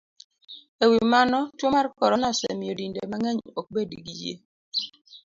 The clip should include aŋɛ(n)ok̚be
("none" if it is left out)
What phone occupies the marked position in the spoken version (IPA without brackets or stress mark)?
ɲ